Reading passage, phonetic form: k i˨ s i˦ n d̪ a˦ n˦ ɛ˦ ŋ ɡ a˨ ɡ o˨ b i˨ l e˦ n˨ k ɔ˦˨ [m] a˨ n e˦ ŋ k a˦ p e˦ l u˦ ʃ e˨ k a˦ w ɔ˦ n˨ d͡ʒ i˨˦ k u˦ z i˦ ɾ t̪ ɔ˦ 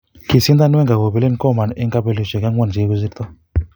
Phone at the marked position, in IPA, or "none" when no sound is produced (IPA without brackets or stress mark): m